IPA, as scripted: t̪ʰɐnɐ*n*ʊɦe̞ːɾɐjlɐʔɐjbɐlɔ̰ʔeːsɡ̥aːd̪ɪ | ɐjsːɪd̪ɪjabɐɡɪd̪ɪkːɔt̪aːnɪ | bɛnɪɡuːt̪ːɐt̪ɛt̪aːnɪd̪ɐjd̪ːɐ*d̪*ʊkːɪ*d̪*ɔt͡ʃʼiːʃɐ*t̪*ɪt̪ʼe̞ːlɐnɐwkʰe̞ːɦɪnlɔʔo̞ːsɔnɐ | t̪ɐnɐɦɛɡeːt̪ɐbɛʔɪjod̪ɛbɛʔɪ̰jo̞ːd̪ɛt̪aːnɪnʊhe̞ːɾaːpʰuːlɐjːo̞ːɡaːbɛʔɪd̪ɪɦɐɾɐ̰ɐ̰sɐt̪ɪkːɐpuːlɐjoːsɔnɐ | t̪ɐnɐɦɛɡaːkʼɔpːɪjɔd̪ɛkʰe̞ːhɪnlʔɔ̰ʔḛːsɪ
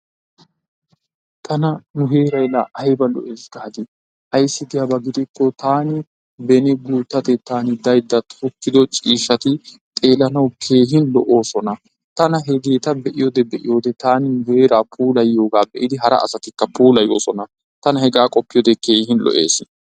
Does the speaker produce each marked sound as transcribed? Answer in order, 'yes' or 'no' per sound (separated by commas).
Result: yes, no, yes, yes